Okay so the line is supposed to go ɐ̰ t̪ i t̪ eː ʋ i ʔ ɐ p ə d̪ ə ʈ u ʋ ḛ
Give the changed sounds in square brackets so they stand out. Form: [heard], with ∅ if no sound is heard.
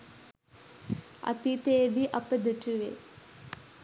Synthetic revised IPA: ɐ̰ t̪ i t̪ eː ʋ i ʔ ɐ p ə d̪ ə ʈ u ʋ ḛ